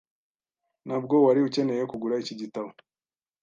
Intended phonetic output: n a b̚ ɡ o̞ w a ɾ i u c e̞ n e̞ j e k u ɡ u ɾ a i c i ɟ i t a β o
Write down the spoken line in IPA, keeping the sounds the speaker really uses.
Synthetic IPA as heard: n a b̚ ɡ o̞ w a ɾ i u c e̞ n e̞ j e k u ɡ u ɾ a i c i ɟ i t a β o